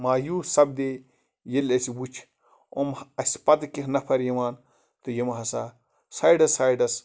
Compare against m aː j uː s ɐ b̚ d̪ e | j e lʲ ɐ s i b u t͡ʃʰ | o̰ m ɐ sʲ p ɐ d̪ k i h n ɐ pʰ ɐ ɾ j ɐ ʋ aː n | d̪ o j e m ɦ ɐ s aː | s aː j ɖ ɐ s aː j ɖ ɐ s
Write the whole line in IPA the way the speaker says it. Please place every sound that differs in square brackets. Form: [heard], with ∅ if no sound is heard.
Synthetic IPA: m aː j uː s ɐ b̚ d̪ e | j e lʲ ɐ s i b u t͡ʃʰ | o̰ m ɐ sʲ p ɐ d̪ k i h n ɐ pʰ ɐ ɾ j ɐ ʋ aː n | [t̪] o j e m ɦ ɐ s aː | s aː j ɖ ɐ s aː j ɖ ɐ s

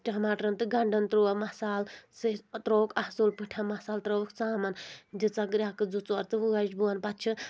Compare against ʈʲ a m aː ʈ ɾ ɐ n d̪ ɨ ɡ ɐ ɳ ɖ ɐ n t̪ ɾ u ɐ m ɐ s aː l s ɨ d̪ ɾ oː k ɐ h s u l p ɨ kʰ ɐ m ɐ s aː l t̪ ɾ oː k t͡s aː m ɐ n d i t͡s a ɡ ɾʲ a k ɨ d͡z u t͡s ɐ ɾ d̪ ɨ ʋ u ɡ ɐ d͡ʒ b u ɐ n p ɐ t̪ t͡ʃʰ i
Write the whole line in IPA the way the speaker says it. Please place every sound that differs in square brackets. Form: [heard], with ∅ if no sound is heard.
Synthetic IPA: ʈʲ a m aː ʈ ɾ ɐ n [t̪] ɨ ɡ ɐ ɳ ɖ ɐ n t̪ ɾ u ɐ m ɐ s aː l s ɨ [t̪] ɾ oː k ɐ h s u l p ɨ [ʈʰ] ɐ m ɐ s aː l t̪ ɾ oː k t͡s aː m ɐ n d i t͡s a ɡ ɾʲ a k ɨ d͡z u t͡s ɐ ɾ [t̪] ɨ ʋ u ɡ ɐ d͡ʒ b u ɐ n p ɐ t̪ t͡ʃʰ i

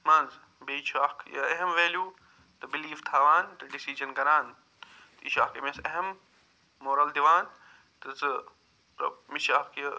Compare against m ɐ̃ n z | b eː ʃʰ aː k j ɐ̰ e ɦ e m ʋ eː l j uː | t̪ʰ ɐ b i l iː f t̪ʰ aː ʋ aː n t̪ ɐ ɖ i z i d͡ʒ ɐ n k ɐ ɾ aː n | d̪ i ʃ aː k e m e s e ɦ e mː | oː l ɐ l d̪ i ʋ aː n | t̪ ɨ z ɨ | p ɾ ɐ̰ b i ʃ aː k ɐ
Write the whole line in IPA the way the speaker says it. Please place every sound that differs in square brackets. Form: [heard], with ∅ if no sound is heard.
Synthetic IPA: m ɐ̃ n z | b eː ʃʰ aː k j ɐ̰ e ɦ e m ʋ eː l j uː | [t̪] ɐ b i l iː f t̪ʰ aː ʋ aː n t̪ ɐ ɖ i [s] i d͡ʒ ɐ n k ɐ ɾ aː n | [t̪] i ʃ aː k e m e s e ɦ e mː | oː [ɾ] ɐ l d̪ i ʋ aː n | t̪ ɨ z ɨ | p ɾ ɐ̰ [m] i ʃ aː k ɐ

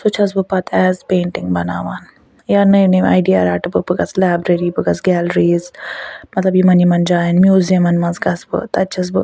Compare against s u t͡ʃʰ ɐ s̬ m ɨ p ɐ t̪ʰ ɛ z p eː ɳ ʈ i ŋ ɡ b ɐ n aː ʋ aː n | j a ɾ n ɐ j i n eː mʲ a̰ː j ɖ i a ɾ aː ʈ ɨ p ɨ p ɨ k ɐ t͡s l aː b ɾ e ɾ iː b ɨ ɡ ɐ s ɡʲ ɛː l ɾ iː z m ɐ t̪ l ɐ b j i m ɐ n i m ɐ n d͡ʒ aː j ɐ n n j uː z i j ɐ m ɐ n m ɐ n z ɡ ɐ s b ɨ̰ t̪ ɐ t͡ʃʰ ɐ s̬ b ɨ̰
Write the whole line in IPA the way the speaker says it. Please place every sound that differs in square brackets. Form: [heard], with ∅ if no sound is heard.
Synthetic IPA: s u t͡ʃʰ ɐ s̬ [b] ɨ p ɐ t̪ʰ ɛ z p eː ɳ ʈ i ŋ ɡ b ɐ n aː ʋ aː n | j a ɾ n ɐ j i n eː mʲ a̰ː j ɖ i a ɾ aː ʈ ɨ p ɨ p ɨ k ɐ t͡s l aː b ɾ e ɾ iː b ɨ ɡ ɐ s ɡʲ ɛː l ɾ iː z m ɐ t̪ l ɐ b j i m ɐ n i m ɐ n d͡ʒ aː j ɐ n [m] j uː z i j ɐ m ɐ n m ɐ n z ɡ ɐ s b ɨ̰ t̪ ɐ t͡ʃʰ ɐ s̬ b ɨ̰

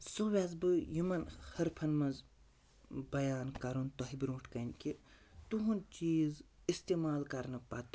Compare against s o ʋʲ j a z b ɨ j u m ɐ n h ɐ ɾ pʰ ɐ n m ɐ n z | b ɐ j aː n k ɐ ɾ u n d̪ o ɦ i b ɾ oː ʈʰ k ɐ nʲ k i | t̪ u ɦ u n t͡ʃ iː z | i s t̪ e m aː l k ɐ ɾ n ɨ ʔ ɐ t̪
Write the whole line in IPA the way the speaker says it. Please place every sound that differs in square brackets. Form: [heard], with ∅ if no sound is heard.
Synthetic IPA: s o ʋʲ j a z b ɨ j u m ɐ n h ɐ ɾ pʰ ɐ n m ɐ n z | b ɐ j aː n k ɐ ɾ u n [t̪] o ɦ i b ɾ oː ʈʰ k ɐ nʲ k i | t̪ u ɦ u n t͡ʃ iː z | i s t̪ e m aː l k ɐ ɾ n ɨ [p] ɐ t̪

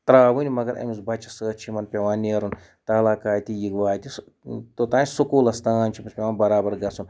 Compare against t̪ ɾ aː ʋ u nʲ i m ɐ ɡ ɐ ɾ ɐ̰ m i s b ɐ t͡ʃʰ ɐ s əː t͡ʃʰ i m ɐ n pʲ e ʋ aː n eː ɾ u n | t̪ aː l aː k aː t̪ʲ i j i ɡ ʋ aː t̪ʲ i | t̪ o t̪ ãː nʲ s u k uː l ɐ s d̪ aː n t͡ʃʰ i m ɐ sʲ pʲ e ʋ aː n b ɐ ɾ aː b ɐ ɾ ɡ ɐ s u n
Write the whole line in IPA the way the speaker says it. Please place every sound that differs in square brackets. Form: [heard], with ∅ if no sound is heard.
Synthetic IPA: t̪ ɾ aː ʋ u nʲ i m ɐ ɡ ɐ ɾ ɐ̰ m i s b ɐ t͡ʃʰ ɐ s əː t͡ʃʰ i m ɐ n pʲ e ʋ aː n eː ɾ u n | t̪ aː l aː k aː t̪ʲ i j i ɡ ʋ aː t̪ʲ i | t̪ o t̪ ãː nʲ s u k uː l ɐ s [t̪] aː n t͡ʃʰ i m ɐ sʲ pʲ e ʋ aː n b ɐ ɾ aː b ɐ ɾ ɡ ɐ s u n

